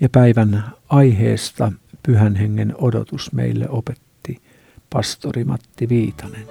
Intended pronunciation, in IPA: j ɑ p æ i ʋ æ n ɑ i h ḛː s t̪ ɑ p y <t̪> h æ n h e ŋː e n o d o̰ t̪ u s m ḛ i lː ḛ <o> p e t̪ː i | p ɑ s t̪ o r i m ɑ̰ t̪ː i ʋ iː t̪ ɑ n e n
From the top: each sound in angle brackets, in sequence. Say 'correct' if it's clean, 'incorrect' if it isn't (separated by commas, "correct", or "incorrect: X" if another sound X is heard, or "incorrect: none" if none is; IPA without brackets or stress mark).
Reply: incorrect: none, correct